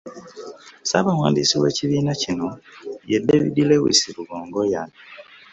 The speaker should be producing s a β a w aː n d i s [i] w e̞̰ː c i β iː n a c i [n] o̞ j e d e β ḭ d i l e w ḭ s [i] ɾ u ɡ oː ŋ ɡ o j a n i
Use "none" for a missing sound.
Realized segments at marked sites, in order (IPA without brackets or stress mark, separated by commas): i, n, i